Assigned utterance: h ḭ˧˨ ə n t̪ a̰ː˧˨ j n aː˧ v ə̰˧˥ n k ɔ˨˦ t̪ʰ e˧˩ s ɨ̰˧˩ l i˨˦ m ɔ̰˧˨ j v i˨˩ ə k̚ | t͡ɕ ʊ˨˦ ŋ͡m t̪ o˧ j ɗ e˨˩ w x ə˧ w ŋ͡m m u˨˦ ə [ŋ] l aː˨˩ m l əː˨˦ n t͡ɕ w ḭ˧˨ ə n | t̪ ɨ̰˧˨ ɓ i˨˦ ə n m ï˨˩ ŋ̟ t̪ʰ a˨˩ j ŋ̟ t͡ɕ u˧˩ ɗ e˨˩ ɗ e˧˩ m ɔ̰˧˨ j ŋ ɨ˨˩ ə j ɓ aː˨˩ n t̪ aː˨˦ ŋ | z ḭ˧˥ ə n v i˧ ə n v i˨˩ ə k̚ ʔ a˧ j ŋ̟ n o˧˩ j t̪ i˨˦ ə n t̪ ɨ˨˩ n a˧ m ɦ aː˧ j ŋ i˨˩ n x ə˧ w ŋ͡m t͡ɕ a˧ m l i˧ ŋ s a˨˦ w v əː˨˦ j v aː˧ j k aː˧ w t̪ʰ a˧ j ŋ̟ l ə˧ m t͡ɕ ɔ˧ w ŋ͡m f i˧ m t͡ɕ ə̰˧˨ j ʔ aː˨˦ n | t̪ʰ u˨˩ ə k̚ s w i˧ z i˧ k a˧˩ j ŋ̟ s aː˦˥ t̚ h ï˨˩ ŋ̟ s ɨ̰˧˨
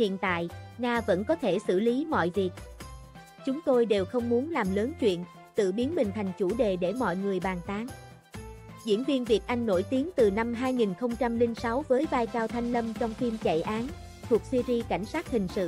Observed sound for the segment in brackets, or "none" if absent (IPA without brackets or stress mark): n